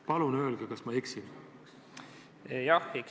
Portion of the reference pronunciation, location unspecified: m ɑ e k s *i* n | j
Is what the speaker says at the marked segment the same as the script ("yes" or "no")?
yes